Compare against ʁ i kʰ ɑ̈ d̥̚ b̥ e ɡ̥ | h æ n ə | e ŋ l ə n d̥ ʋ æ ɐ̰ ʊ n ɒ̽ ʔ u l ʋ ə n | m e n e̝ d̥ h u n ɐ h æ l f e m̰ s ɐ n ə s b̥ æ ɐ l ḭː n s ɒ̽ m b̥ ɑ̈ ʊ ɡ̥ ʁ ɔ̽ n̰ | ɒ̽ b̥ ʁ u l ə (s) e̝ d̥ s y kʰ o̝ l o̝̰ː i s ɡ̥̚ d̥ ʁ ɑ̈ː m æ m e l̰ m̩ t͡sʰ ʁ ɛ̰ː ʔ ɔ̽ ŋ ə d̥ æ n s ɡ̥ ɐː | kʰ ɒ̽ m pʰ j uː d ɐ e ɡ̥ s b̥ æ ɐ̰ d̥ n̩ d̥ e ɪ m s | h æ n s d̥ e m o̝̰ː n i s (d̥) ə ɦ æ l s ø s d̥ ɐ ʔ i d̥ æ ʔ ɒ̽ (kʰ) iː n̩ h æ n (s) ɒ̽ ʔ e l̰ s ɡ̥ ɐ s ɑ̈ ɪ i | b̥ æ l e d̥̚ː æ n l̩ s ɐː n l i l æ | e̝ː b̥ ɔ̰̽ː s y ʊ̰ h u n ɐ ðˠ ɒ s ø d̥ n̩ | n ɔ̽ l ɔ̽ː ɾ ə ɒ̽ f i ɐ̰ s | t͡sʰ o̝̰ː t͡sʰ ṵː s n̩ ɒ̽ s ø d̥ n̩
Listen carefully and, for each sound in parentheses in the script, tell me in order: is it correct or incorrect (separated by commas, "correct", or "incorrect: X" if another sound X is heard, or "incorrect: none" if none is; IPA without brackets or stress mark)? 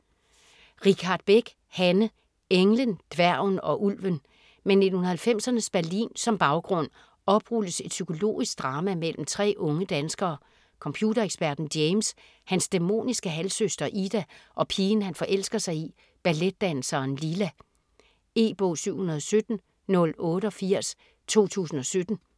correct, incorrect: ɡ̥, incorrect: pʰ, incorrect: f